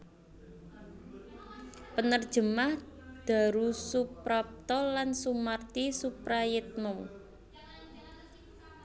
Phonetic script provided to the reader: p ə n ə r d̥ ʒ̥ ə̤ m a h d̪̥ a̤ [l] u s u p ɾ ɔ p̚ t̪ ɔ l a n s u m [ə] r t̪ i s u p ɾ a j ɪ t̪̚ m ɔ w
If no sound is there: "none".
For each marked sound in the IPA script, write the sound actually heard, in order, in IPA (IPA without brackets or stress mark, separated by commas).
ɾ, a